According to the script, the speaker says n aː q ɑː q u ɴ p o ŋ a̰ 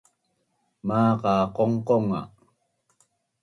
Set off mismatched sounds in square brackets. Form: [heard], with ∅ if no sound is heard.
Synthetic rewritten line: [m] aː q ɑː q [o] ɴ [q] o ŋ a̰

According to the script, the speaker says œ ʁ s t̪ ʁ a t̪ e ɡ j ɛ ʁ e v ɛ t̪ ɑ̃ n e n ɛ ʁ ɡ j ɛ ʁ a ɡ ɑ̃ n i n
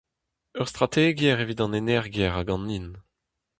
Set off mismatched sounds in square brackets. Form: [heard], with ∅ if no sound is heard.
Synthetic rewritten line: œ ʁ s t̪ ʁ a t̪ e ɡ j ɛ ʁ e v [i] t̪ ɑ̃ n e n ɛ ʁ ɡ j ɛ ʁ a ɡ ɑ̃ n i n

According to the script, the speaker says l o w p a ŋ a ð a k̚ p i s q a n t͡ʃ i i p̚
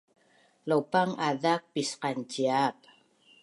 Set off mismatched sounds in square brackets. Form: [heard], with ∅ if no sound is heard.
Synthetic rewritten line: l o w p a ŋ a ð a k̚ p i s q a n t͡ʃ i [a] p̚

